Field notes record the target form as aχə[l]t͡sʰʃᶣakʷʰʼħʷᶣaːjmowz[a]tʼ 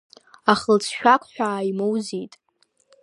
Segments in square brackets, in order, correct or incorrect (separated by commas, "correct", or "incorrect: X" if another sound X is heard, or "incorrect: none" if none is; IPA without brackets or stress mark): correct, incorrect: i